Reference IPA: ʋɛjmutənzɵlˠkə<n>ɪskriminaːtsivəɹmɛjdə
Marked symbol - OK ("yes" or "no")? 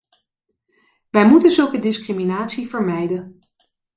no